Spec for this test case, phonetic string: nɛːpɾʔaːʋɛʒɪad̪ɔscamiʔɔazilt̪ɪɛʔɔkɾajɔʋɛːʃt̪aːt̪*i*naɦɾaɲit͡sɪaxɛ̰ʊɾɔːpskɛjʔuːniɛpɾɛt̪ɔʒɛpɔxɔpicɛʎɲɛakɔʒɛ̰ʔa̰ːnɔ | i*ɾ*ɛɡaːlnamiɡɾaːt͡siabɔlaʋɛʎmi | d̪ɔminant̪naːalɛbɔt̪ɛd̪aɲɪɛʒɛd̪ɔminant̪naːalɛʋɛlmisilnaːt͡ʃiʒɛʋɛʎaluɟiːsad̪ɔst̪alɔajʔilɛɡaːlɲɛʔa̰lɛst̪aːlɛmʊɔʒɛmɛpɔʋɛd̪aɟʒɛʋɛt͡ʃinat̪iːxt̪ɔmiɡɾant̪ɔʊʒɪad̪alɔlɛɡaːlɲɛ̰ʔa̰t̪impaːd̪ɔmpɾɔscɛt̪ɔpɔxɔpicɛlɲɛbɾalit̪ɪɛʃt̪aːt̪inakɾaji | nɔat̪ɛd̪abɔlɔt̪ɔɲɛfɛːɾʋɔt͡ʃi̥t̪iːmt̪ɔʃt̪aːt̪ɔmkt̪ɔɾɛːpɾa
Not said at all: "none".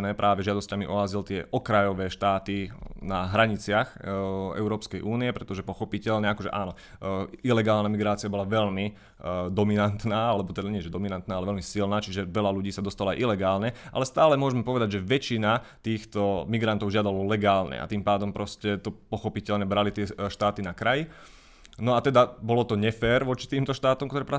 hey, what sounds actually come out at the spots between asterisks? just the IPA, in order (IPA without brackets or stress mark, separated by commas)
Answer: i, l